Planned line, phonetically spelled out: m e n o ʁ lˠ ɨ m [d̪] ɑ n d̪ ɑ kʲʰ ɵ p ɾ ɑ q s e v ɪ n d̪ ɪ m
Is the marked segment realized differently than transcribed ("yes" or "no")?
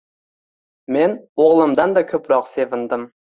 no